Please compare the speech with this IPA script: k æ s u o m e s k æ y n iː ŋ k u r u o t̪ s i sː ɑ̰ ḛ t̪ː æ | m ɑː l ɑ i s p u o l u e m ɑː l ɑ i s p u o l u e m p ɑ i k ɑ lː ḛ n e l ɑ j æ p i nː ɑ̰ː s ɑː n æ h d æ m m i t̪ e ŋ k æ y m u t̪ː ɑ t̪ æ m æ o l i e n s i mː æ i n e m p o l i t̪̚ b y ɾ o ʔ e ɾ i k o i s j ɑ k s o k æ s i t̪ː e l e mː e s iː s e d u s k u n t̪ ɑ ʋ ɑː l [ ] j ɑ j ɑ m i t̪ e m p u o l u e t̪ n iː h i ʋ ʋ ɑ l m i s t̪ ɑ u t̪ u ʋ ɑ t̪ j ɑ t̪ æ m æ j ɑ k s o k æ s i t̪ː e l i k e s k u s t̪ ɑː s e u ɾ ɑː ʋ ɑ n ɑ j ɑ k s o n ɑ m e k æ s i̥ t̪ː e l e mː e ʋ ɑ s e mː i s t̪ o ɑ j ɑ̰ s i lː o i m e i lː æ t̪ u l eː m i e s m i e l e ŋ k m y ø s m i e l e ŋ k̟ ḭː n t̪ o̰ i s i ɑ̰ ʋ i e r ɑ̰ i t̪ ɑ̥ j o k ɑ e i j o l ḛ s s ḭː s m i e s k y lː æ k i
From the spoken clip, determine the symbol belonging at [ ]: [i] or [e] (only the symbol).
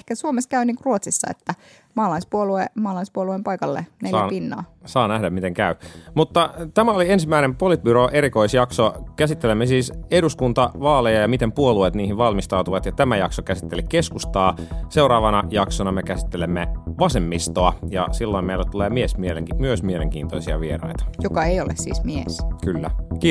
e